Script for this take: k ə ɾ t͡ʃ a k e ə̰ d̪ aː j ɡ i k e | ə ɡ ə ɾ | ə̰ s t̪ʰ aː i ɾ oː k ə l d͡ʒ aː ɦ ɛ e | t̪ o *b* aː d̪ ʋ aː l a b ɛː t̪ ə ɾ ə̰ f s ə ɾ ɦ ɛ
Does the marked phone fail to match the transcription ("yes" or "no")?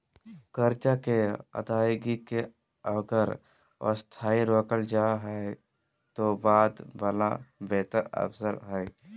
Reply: no